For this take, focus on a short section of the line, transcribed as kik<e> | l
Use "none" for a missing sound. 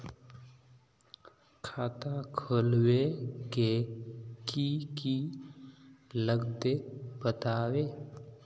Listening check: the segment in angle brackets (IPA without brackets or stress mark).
i